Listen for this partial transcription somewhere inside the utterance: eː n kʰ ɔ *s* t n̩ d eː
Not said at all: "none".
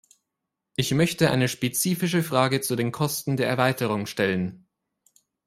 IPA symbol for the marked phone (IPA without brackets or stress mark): s